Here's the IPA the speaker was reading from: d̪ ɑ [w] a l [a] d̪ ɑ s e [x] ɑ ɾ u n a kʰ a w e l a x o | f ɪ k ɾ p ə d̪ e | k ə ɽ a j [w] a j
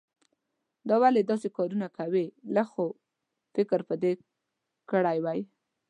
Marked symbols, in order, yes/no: yes, no, no, yes

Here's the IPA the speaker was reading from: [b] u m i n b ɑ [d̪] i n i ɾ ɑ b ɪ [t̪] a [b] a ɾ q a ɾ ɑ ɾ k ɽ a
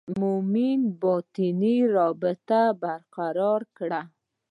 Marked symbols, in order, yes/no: no, no, yes, yes

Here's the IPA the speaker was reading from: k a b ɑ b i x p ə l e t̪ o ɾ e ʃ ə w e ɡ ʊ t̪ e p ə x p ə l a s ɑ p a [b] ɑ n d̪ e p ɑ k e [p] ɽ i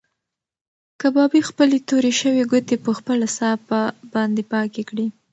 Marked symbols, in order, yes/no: yes, no

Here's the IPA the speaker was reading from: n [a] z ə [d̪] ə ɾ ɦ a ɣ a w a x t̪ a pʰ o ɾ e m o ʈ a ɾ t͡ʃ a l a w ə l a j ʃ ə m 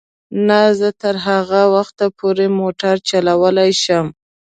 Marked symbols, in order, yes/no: yes, no

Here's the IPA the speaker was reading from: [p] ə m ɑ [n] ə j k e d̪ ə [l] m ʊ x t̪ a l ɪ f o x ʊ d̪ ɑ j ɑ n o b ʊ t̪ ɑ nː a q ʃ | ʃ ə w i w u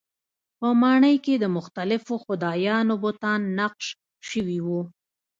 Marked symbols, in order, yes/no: yes, no, no

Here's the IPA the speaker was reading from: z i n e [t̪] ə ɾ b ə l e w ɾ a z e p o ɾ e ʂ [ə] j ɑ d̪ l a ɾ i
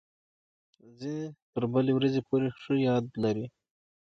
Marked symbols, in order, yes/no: yes, yes

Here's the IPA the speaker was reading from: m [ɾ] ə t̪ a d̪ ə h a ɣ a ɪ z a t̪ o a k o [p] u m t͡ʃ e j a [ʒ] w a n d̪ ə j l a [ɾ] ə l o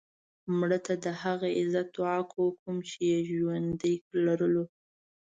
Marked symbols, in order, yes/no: no, no, yes, yes

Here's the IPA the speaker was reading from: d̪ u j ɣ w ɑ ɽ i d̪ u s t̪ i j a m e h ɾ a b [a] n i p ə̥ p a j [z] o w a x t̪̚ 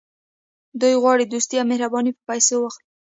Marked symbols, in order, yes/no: no, no

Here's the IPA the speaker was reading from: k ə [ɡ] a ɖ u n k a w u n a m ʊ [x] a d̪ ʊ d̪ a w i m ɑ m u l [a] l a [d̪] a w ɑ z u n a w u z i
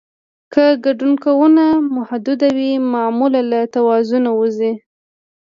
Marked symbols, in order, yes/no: yes, no, yes, no

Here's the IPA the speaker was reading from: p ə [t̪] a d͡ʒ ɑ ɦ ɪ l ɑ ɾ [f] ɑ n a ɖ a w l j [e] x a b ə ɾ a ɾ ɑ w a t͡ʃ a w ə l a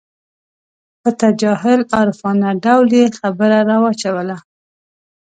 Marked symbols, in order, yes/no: yes, yes, yes

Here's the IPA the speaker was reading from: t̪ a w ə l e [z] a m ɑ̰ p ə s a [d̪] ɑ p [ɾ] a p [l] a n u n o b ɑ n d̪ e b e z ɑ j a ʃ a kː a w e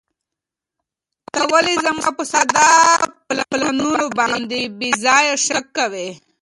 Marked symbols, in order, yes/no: yes, yes, no, yes

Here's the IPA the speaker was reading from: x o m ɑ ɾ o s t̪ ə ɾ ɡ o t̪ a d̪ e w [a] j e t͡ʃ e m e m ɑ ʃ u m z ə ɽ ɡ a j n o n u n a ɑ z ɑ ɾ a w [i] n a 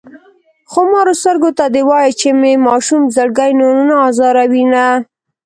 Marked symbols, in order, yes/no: no, yes

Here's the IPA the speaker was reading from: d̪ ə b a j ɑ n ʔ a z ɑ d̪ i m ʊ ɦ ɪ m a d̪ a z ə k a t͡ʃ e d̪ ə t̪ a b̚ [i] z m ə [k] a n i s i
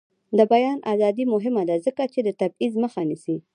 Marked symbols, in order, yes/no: yes, no

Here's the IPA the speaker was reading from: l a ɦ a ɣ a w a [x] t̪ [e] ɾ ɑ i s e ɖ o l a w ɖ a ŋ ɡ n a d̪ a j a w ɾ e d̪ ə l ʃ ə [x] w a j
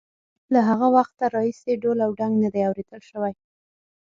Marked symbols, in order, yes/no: yes, no, no

